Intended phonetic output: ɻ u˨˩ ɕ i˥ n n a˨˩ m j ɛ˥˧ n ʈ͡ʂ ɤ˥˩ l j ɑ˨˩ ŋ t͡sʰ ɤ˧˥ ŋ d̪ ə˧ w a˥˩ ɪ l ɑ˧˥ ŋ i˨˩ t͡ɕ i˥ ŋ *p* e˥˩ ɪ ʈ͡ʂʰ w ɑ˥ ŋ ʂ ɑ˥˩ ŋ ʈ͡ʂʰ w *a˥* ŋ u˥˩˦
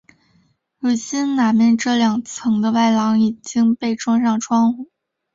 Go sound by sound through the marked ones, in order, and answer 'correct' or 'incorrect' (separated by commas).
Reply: correct, incorrect